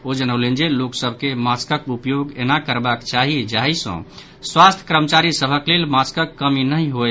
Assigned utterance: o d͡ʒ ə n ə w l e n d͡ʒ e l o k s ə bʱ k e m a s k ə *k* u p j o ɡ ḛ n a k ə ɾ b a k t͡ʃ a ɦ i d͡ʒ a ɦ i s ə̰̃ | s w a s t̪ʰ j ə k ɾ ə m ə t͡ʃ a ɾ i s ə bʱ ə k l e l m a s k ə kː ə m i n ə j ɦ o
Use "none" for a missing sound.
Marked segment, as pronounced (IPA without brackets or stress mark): k